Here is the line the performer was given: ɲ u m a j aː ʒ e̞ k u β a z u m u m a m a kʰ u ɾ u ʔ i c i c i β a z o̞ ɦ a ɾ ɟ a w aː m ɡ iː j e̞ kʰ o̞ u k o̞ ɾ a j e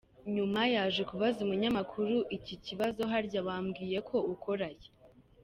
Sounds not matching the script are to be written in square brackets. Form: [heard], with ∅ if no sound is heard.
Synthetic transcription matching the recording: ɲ u m a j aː ʒ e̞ k u β a z u m u [ɲ] a m a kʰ u ɾ u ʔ i c i c i β a z o̞ ɦ a ɾ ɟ a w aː m ɡ iː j e̞ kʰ o̞ u k o̞ ɾ a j e